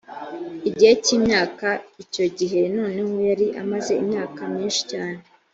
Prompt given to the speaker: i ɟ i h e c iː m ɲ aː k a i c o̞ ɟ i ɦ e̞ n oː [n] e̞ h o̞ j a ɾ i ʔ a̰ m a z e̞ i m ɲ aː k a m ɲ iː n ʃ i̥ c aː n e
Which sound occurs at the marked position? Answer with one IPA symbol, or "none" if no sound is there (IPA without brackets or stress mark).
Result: n